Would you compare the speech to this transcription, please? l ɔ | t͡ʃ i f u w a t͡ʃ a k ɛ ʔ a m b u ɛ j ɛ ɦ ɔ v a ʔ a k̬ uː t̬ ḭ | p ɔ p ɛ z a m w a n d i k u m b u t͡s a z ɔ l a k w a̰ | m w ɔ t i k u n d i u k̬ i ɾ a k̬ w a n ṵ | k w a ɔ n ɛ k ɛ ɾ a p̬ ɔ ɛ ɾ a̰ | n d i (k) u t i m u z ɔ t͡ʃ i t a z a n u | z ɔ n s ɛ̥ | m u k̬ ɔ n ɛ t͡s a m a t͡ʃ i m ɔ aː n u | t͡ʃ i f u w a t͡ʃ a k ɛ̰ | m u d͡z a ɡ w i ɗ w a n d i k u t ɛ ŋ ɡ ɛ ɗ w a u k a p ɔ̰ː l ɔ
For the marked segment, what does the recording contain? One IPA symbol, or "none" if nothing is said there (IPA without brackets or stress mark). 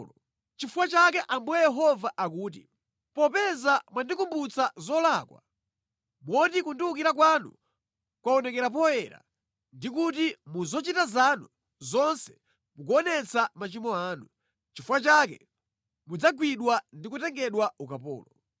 k